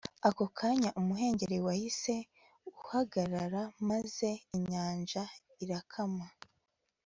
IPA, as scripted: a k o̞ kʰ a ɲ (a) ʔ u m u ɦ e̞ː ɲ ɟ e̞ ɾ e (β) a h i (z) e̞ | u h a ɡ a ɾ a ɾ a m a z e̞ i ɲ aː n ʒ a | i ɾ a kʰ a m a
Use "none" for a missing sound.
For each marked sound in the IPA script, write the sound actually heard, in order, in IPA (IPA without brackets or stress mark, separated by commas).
a, w, s